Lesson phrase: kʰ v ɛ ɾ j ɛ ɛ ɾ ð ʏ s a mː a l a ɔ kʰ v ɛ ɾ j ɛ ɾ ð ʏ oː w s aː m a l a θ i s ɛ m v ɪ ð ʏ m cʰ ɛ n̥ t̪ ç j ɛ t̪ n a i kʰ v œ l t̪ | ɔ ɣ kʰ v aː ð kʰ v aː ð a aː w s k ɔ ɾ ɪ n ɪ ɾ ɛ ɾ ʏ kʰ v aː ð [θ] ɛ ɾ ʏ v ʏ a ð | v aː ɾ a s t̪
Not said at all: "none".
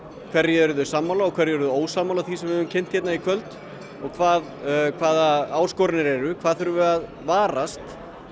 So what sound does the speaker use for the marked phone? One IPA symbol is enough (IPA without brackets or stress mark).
θ